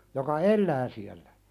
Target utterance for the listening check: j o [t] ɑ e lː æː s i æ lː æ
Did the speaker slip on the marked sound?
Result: yes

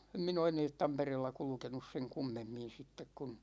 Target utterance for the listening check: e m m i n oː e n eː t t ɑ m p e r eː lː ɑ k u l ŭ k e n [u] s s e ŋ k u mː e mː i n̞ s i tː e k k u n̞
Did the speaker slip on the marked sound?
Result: no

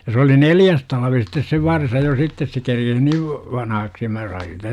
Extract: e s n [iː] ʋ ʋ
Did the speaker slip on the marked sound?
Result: no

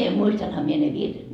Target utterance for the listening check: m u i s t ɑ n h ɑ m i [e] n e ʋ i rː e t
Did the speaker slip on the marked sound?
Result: no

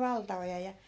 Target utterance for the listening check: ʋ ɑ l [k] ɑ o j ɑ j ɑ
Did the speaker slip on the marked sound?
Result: yes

